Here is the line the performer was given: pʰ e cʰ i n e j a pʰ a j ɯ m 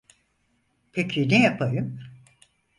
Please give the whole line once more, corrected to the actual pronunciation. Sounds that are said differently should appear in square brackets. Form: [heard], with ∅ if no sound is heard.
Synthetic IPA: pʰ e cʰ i n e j a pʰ a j ɯ m